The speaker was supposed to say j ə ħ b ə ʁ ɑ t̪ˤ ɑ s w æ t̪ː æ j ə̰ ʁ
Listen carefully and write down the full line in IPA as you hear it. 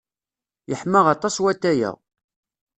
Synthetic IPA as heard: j ə ħ m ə ʁ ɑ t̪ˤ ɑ s w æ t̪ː æ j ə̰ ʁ